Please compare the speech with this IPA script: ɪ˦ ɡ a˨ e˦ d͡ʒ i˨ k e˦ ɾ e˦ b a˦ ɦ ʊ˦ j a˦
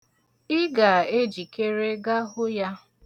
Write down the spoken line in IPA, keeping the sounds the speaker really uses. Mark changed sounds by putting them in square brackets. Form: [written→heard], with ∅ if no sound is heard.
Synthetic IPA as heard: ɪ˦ ɡ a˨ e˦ d͡ʒ i˨ k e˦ ɾ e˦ [b→ɡ] a˦ ɦ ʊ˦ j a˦